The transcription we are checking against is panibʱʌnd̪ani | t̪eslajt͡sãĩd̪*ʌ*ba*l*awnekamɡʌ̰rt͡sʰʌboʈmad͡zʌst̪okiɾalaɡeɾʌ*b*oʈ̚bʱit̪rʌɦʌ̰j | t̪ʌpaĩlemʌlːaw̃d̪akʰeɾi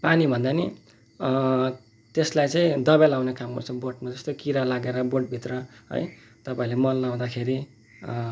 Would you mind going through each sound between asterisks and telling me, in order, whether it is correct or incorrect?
correct, correct, correct

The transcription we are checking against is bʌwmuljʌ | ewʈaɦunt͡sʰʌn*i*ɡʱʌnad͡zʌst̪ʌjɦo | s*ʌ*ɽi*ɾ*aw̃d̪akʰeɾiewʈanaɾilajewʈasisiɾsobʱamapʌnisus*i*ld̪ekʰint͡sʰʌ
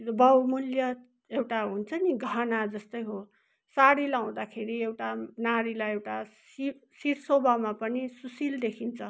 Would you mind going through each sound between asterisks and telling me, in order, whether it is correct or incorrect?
correct, incorrect: a, incorrect: l, correct

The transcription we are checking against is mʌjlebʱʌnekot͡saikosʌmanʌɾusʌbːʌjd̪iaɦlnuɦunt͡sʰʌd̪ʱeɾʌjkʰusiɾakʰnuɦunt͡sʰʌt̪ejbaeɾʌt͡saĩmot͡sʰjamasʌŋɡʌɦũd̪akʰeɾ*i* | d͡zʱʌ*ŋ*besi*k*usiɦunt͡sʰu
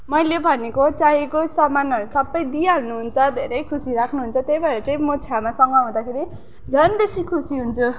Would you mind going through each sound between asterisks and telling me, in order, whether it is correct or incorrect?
correct, incorrect: n, incorrect: kʰ

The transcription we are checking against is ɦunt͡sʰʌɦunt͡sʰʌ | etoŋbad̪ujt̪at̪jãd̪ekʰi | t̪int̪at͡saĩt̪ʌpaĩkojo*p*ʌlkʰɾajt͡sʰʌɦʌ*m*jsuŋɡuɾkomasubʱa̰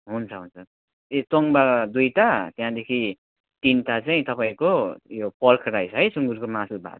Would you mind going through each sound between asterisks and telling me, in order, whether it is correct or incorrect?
correct, incorrect: none

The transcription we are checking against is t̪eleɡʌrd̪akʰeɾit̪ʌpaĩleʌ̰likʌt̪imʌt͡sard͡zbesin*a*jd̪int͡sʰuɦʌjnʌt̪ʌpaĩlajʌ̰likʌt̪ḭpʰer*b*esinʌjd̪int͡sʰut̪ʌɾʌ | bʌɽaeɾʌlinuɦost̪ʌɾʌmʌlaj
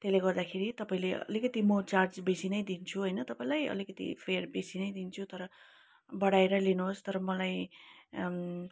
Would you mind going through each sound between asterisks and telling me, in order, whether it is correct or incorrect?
incorrect: ʌ, correct

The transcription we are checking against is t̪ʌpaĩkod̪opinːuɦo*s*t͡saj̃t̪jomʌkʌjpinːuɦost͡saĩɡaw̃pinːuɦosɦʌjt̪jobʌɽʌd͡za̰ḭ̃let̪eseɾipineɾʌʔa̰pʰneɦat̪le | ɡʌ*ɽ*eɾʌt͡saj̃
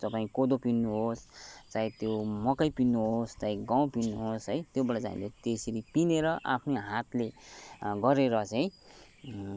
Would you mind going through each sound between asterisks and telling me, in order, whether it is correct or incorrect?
correct, incorrect: ɾ

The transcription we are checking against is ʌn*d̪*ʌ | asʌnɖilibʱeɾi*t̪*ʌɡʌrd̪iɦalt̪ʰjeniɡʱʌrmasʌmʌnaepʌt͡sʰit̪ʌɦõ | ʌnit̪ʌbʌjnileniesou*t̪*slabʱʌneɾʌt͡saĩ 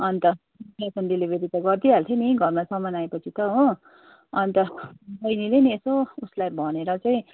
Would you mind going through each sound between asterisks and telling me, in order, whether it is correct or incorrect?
incorrect: t̪, correct, incorrect: none

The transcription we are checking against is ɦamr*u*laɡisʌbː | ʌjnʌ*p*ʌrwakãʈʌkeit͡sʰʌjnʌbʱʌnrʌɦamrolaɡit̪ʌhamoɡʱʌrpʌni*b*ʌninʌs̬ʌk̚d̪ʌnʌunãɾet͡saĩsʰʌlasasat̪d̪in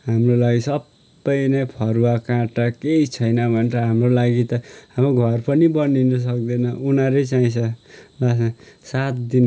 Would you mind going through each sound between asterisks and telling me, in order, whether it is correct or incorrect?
incorrect: o, incorrect: pʰ, correct

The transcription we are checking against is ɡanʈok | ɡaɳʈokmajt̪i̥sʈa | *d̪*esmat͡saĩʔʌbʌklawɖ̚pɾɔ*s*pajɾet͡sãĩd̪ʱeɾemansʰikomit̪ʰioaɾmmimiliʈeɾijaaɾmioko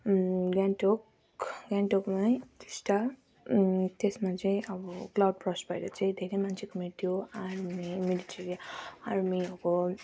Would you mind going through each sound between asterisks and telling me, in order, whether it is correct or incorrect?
incorrect: t̪, correct

